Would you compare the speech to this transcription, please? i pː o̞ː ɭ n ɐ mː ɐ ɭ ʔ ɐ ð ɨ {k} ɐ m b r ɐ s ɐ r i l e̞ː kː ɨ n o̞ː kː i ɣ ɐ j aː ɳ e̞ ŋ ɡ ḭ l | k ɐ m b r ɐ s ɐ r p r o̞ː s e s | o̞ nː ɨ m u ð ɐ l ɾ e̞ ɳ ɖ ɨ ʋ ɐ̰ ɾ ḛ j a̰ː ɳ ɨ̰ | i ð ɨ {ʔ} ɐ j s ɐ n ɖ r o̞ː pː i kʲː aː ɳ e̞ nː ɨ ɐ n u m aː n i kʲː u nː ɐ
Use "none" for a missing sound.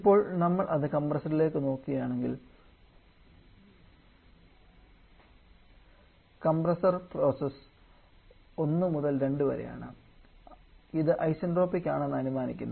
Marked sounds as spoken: k, ʔ

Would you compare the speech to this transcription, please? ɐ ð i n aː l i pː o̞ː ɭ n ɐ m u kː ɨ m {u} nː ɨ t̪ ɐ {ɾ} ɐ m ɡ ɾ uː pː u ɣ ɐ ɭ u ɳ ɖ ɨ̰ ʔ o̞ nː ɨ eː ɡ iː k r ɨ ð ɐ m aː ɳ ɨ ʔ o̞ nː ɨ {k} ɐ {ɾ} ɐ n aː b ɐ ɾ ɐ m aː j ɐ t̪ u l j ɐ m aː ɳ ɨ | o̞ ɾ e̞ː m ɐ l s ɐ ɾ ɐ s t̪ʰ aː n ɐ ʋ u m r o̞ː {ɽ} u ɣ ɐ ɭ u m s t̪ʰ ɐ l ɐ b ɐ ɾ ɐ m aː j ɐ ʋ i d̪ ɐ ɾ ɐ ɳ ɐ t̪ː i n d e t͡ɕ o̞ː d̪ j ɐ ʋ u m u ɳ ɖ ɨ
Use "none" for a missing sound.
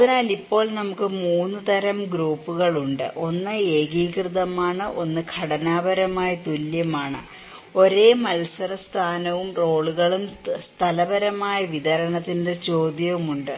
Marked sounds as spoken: uː, ɾ, kʰ, ɽ, ɭ

